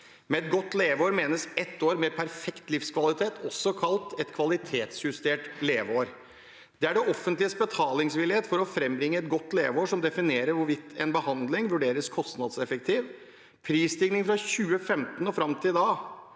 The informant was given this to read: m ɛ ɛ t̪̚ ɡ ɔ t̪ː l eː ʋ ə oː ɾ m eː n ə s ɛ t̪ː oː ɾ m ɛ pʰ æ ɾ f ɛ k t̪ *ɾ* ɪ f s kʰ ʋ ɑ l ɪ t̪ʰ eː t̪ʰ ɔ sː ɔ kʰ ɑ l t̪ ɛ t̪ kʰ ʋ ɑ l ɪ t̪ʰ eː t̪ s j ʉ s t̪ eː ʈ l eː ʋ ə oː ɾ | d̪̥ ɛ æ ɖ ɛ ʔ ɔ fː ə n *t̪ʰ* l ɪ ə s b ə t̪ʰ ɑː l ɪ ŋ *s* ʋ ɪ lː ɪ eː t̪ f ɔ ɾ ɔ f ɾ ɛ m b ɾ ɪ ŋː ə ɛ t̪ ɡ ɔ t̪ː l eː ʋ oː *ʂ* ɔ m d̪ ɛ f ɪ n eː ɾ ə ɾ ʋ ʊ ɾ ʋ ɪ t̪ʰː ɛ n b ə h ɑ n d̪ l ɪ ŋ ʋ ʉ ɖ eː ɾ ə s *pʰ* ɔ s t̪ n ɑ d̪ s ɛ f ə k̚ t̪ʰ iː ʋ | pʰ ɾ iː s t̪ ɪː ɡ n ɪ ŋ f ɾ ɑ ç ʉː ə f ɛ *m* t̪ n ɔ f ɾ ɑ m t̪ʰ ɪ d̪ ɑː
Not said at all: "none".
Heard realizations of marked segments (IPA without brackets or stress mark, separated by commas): l, t̪, s, ʂ, kʰ, m